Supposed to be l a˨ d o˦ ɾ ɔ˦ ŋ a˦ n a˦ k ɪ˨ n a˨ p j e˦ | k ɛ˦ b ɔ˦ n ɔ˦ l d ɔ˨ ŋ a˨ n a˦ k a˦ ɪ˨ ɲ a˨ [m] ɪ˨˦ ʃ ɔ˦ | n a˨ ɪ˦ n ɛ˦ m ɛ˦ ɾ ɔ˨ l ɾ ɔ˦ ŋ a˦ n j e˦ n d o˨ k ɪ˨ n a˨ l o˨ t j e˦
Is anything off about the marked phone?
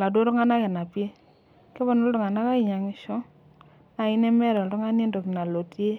yes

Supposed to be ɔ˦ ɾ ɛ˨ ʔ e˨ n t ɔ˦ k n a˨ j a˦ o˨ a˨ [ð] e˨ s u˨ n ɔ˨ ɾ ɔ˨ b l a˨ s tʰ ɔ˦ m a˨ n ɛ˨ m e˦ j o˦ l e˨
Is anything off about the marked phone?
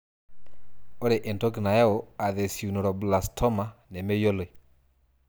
no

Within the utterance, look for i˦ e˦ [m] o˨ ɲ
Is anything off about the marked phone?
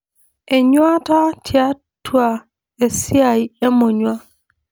no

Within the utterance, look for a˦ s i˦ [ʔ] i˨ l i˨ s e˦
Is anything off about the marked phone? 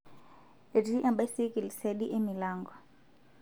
yes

